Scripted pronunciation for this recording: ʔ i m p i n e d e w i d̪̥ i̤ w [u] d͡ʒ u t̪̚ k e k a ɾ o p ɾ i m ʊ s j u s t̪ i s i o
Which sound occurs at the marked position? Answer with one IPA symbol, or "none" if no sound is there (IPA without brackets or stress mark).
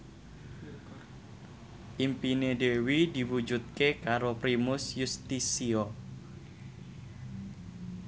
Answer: u